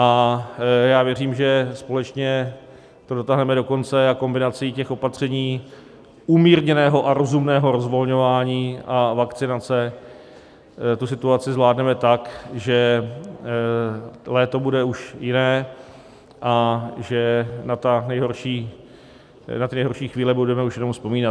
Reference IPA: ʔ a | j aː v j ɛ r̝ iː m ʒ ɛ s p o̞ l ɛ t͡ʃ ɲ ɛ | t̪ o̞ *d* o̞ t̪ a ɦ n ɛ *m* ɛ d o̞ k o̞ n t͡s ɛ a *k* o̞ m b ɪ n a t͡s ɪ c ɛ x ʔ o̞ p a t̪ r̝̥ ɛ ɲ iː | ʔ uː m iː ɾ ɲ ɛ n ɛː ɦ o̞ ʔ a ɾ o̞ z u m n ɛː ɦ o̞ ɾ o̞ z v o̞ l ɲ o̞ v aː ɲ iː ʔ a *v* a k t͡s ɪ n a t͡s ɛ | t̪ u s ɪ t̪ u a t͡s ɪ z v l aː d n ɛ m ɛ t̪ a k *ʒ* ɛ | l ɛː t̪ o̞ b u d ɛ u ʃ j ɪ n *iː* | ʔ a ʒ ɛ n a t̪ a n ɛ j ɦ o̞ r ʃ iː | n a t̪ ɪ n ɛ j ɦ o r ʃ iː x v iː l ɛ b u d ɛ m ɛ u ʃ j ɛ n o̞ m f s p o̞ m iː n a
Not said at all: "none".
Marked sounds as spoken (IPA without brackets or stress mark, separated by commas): d, m, k, v, ʒ, ɛː